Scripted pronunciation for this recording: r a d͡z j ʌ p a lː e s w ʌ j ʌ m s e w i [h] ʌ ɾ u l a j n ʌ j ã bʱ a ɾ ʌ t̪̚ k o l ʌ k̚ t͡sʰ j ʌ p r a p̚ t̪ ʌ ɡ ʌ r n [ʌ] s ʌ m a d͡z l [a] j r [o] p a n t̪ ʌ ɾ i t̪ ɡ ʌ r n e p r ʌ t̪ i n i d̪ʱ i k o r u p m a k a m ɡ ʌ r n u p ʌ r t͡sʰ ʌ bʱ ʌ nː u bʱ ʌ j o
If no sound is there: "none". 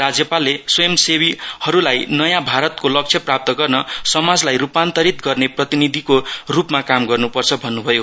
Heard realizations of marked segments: h, ʌ, a, u

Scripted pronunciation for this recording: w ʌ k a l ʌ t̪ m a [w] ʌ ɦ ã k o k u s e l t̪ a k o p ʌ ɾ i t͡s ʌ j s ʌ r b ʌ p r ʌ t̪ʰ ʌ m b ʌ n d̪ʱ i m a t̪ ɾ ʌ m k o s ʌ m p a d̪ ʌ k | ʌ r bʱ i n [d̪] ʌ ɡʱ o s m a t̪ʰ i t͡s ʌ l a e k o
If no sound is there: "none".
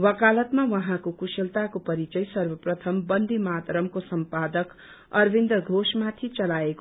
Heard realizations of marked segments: w, d̪

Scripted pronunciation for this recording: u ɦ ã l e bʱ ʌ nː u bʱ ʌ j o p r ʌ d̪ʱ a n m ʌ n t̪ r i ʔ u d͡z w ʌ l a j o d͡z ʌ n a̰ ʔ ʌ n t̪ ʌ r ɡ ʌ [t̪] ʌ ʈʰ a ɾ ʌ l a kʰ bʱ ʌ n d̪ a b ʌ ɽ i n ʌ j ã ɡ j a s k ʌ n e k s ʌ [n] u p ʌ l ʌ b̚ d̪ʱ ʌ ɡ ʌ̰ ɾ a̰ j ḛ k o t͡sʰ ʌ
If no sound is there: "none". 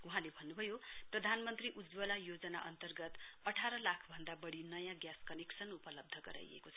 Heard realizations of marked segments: t̪, n

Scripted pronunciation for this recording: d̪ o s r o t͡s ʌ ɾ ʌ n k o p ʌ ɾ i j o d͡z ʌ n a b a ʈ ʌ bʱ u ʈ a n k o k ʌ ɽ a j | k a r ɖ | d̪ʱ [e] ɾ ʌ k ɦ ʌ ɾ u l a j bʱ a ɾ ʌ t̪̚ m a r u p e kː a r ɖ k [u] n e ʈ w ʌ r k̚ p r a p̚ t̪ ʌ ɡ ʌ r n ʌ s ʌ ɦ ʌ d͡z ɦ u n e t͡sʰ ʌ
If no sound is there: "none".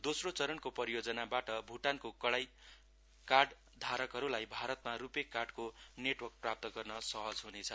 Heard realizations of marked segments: a, o

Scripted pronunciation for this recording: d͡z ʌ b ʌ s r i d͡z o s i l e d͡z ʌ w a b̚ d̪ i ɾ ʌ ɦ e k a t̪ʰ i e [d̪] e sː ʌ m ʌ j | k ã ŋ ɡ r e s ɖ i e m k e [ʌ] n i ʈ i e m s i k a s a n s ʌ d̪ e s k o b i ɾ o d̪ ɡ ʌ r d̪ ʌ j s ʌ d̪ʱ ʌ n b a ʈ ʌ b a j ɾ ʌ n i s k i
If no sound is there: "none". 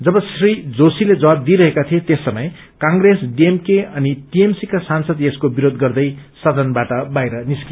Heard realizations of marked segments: t̪, ʌ

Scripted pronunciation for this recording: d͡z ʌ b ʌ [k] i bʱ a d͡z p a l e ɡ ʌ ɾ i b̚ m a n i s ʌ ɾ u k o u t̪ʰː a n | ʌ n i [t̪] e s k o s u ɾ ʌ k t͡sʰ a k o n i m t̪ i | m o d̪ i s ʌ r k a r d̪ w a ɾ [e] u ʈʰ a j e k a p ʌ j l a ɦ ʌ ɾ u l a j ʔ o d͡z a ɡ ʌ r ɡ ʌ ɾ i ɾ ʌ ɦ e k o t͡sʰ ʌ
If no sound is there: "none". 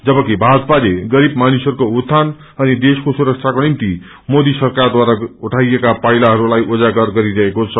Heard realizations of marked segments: k, d̪, a

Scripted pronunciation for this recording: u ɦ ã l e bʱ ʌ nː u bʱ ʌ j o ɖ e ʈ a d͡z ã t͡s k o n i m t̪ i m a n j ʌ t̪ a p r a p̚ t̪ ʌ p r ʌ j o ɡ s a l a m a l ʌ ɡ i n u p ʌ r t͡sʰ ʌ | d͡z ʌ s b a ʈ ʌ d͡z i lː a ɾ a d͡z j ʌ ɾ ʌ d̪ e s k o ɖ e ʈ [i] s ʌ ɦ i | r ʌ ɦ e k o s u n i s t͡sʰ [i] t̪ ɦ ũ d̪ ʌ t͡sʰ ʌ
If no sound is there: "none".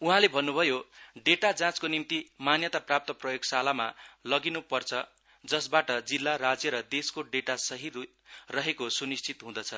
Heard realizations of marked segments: a, i

